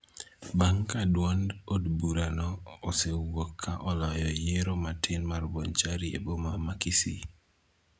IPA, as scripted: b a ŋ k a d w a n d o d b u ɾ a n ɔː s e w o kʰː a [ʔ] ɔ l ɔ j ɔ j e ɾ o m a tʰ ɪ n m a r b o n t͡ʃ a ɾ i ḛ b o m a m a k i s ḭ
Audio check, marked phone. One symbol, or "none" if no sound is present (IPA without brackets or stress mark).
ʔ